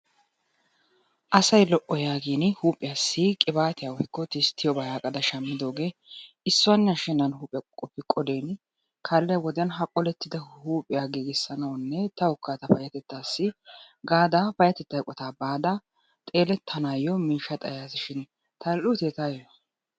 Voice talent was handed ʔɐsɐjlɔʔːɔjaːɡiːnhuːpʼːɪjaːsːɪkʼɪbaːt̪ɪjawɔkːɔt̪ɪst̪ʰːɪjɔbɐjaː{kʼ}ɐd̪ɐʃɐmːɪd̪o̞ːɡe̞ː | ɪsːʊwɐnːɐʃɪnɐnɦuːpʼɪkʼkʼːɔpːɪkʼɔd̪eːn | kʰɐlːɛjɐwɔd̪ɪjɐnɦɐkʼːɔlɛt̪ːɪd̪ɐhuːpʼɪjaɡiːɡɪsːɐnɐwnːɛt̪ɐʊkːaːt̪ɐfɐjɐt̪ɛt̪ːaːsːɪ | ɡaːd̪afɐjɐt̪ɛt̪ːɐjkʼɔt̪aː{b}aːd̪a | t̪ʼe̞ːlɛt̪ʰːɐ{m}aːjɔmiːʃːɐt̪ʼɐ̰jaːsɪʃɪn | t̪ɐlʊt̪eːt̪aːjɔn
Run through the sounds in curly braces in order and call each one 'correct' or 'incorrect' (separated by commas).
correct, correct, incorrect